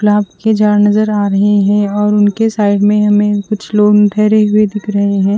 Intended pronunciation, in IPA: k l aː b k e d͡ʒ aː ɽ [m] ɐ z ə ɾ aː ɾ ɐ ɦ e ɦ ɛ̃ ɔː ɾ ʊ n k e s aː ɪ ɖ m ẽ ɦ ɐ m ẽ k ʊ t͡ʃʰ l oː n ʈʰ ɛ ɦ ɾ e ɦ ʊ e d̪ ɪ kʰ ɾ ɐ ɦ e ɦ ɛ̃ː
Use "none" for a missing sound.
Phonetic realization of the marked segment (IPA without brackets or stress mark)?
n